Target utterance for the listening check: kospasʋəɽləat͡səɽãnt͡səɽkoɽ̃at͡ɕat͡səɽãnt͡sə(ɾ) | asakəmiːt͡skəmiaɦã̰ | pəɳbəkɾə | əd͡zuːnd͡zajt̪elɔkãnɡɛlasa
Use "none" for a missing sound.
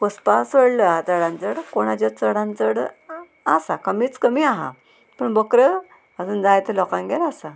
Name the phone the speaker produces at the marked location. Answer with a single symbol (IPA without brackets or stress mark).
ɽ